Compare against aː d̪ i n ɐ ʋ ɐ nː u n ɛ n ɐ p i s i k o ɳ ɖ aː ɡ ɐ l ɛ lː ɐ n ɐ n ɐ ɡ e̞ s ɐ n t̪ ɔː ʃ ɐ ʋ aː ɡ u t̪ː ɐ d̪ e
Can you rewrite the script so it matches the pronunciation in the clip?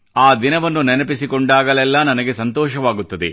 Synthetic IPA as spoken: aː d̪ i n ɐ ʋ ɐ nː u n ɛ n ɐ p i s i k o ɳ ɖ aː ɡ ɐ l ɛ lː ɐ n ɐ n ɐ ɡ e̞ s ɐ n t̪ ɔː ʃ ɐ ʋ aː ɡ u t̪ː ɐ d̪ e

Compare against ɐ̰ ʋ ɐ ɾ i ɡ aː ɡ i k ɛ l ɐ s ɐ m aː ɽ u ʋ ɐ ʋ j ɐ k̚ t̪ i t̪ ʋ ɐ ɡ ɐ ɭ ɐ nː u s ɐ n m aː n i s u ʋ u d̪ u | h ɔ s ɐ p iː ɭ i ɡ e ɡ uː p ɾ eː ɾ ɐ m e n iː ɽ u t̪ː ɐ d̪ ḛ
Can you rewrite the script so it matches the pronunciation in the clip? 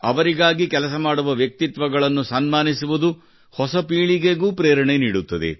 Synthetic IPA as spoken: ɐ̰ ʋ ɐ ɾ i ɡ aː ɡ i k ɛ l ɐ s ɐ m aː ɽ u ʋ ɐ ʋ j ɐ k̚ t̪ i t̪ ʋ ɐ ɡ ɐ ɭ ɐ nː u s ɐ n m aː n i s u ʋ u d̪ u | h ɔ s ɐ p iː ɭ i ɡ e ɡ uː p ɾ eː ɾ ɐ ɳ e n iː ɽ u t̪ː ɐ d̪ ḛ

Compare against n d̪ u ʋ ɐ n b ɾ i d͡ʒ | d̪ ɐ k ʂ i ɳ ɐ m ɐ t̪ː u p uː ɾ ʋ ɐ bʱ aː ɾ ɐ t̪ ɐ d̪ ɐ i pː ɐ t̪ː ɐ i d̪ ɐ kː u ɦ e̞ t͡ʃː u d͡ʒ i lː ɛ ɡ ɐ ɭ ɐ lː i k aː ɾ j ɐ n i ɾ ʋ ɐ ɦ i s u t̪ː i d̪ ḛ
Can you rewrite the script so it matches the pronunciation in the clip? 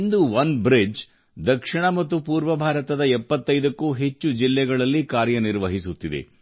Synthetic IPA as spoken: n d̪ u ʋ ɐ n b ɾ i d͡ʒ | d̪ ɐ k ʂ i ɳ ɐ m ɐ t̪ː u p uː ɾ ʋ ɐ bʱ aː ɾ ɐ t̪ ɐ d̪ ɐ ɛ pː ɐ t̪ː ɐ j d̪ ɐ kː u ɦ e̞ t͡ʃː u d͡ʒ i lː ɛ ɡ ɐ ɭ ɐ lː i k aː ɾ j ɐ n i ɾ ʋ ɐ ɦ i s u t̪ː i d̪ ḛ

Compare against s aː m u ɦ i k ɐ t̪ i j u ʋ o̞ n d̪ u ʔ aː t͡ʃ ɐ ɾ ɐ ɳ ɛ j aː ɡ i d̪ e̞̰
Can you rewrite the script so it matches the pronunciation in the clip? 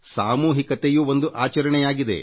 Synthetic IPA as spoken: s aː m uː ɦ i k ɐ t̪ e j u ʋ o̞ n d̪ u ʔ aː t͡ʃ ɐ ɾ ɐ ɳ ɛ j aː ɡ i d̪ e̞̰

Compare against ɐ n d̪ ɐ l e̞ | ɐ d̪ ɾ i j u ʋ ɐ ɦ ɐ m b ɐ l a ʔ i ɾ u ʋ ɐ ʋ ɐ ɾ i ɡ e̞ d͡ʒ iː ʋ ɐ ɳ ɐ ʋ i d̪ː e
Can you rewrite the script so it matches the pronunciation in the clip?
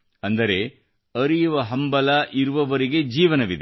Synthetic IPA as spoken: ɐ n d̪ ɐ ɾ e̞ | ɐ ɾ i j u ʋ ɐ ɦ ɐ m b ɐ l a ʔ i ɾ u ʋ ɐ ʋ ɐ ɾ i ɡ e̞ d͡ʒ iː ʋ ɐ n ɐ ʋ i d̪ e

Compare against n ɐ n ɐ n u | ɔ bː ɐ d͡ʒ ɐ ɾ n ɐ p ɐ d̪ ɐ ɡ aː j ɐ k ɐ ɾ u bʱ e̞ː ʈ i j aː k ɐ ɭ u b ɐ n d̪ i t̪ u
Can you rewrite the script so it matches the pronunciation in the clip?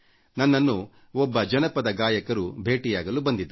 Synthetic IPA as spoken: n ɐ nː ɐ nː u | ɔ bː ɐ d͡ʒ ɐ n ɐ p ɐ d̪ ɐ ɡ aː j ɐ k ɐ ɾ u bʱ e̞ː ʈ i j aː ɡ ɐ l u b ɐ n d̪ i d̪ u

